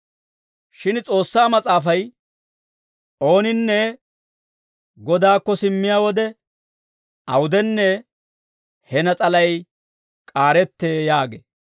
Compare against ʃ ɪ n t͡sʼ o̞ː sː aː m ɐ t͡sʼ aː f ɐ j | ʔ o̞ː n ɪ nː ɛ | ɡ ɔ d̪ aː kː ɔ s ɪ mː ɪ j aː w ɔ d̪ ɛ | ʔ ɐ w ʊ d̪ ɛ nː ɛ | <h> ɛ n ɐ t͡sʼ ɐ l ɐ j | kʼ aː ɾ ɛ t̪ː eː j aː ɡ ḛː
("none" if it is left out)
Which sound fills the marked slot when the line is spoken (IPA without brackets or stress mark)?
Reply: h